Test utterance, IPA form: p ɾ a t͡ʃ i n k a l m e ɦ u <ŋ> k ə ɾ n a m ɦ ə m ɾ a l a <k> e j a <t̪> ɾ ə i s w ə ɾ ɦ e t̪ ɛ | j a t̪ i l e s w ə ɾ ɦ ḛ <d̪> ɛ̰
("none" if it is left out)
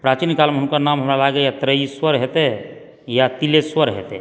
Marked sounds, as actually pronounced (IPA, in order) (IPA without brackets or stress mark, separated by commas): n, ɡ, t̪, t̪